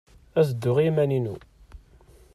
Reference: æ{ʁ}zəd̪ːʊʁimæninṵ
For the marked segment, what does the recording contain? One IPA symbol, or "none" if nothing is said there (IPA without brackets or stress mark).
none